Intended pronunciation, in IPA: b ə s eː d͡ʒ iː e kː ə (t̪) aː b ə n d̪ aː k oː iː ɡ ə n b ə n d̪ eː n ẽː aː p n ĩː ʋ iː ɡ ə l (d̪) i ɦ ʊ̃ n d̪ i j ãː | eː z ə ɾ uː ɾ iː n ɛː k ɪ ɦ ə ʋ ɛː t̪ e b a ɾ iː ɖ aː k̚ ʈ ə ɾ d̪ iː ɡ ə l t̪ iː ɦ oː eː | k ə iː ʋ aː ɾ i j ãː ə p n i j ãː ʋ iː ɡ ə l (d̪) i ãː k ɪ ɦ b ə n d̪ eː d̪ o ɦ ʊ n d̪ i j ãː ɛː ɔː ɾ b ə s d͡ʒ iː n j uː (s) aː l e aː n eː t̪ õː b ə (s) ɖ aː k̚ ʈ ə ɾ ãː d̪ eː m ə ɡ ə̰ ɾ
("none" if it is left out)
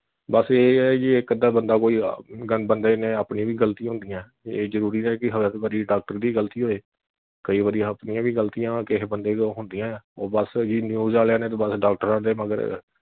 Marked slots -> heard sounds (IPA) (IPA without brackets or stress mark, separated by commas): d̪, t̪, t̪, z, s